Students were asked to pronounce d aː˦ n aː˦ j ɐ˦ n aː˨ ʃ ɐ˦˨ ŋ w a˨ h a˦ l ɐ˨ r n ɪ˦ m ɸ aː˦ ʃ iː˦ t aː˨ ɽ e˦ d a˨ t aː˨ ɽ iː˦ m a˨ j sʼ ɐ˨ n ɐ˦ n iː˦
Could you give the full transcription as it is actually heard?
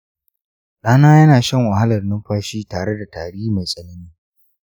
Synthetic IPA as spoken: ɗ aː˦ n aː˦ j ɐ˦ n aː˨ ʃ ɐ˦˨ ŋ w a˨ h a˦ l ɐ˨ r n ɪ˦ m ɸ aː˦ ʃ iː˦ t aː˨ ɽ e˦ d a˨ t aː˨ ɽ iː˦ m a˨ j sʼ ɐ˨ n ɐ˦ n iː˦